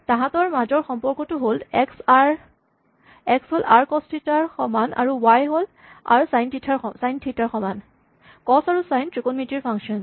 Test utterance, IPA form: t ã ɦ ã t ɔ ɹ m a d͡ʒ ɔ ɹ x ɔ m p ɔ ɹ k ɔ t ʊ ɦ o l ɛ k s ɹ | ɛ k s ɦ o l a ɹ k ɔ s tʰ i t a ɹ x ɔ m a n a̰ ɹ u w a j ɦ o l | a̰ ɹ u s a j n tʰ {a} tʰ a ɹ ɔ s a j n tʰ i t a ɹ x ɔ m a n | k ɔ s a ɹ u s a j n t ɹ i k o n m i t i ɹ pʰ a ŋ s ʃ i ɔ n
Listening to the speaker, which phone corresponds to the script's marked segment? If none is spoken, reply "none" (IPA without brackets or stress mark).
i